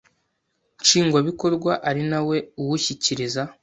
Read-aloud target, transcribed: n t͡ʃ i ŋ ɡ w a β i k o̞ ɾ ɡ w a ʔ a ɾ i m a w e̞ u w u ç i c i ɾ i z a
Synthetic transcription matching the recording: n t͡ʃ iː ŋ ɡ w a β i k o̞ ɾ ɡ w a ʔ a ɾ i n a w e̞ u w u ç i c i ɾ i z a